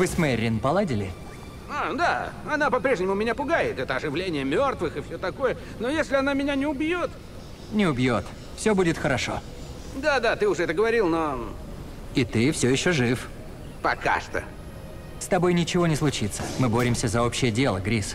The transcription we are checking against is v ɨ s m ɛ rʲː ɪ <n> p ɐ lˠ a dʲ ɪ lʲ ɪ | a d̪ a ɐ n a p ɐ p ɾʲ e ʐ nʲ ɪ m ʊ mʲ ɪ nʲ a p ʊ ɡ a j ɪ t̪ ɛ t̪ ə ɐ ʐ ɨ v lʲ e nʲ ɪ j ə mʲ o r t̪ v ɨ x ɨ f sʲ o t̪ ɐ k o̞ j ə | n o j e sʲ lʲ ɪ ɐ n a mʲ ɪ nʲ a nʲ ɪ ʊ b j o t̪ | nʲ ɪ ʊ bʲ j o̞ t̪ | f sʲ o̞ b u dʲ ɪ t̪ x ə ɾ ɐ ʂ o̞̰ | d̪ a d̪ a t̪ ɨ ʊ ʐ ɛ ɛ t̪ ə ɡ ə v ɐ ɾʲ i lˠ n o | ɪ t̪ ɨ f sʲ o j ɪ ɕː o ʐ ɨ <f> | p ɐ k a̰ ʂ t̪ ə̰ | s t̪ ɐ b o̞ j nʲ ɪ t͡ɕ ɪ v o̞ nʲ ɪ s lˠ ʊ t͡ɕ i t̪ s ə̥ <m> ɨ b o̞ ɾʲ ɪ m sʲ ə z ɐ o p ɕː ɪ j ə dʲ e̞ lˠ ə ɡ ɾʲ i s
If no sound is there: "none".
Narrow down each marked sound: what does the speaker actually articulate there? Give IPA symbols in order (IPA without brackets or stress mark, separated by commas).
n, f, m